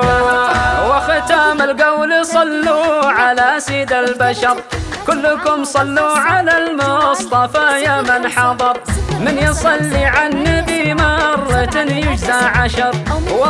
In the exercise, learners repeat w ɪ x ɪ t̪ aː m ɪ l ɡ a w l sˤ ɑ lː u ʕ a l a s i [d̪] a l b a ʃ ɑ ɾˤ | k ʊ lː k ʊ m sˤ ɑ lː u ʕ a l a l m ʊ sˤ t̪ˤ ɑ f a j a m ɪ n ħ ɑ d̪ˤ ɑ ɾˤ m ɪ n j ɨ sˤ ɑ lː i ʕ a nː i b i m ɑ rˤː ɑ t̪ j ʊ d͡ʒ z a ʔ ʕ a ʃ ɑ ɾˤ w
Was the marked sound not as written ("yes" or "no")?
no